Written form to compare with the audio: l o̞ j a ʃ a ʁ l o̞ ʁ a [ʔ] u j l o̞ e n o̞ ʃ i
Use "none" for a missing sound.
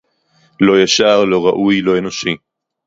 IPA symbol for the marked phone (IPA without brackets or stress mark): ʔ